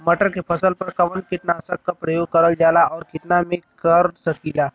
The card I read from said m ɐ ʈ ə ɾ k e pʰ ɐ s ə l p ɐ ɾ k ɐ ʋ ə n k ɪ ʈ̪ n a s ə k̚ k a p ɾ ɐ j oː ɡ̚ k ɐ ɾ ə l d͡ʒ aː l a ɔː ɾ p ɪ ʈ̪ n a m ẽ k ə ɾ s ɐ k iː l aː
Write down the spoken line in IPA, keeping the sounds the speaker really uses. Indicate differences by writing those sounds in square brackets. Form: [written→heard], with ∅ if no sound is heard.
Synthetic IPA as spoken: m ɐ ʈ ə ɾ k e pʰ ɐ s ə l p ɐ ɾ k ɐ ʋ ə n k ɪ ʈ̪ n a s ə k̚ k a p ɾ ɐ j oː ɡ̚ k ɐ ɾ ə l d͡ʒ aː l a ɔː ɾ [p→k] ɪ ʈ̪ n a m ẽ k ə ɾ s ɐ k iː l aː